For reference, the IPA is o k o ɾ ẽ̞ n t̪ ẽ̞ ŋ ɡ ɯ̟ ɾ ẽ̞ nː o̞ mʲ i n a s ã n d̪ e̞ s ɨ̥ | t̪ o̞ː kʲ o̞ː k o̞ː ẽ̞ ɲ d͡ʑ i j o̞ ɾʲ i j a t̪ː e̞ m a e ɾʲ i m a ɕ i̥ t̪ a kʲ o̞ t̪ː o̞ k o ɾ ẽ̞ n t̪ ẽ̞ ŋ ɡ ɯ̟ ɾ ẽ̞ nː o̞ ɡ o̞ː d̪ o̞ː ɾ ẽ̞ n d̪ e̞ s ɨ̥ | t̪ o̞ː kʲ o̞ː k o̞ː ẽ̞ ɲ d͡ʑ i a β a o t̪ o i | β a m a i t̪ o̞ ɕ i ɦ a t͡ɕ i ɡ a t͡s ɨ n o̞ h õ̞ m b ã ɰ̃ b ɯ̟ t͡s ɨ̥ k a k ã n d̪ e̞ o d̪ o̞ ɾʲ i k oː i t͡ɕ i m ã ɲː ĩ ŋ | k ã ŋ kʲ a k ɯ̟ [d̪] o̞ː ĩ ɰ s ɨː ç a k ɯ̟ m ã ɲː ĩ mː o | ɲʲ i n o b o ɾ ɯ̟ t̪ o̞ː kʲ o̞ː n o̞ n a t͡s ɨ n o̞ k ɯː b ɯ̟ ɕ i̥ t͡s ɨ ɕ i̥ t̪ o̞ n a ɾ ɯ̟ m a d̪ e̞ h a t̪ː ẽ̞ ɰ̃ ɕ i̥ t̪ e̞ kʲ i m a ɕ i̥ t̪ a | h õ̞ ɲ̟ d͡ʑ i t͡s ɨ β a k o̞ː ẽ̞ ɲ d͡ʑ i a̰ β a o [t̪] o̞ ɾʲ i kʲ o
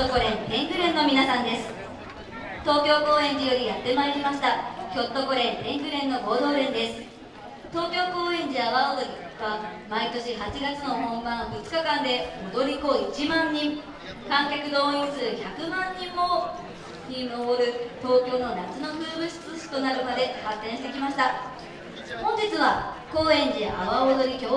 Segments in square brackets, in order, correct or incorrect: correct, incorrect: d̪

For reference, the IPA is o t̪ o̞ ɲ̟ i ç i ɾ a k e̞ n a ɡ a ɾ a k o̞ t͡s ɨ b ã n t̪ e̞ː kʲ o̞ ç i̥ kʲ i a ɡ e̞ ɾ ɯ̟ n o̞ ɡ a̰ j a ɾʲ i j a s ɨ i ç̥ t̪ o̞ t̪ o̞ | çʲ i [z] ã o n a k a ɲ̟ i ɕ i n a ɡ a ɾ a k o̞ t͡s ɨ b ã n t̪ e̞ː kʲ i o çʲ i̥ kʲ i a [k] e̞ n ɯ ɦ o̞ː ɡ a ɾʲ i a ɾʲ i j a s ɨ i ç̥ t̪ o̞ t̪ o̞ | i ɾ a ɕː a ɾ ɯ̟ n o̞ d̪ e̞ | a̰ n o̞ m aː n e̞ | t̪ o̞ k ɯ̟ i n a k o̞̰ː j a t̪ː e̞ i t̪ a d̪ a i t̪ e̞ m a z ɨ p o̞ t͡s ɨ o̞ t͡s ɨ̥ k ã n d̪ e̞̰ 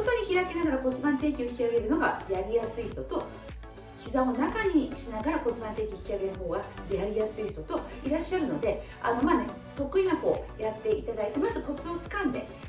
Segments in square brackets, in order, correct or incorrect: correct, incorrect: ɡ

